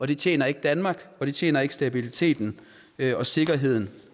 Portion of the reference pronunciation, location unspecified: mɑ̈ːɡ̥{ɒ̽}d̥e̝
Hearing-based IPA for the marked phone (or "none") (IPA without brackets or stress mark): ɒ̽